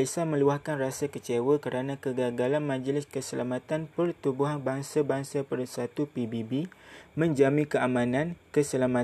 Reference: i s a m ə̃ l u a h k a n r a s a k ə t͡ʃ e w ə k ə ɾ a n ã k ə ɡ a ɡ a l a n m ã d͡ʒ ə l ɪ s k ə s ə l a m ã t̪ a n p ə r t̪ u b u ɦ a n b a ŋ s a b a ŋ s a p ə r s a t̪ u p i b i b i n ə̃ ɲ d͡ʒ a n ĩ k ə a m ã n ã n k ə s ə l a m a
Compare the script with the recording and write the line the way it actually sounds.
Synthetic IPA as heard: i s a m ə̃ l u a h k a n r a s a k ə t͡ʃ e w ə k ə ɾ a n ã k ə ɡ a ɡ a l a n m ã d͡ʒ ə l ɪ s k ə s ə l a m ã t̪ a n p ə r t̪ u b u ɦ a n b a ŋ s a b a ŋ s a p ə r s a t̪ u p i b i b i m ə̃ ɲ d͡ʒ a m ĩ k ə a m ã n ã n k ə s ə l a m a